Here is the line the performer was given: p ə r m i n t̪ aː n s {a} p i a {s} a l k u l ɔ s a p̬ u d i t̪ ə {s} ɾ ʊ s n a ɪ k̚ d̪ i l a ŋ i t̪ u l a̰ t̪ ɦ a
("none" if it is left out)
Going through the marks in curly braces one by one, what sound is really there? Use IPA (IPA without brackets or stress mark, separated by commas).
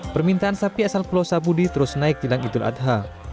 a, s, none